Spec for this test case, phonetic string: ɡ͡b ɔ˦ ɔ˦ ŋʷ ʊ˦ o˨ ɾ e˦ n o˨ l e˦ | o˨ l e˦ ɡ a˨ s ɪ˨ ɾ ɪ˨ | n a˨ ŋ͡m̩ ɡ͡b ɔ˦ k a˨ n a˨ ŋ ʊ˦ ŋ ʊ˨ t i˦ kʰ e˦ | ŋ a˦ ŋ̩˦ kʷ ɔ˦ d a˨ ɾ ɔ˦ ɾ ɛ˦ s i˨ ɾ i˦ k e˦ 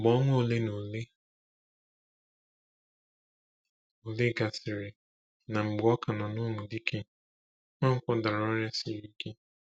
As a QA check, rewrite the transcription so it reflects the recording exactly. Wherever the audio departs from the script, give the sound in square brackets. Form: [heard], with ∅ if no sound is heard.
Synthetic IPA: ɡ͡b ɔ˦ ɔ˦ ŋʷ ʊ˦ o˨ [l] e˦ n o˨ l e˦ | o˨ l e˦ ɡ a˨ s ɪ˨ ɾ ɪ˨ | n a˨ ŋ͡m̩ ɡ͡b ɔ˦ k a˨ n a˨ [n] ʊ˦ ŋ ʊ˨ [d] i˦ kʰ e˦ | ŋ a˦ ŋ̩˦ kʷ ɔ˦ d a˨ ɾ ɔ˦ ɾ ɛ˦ s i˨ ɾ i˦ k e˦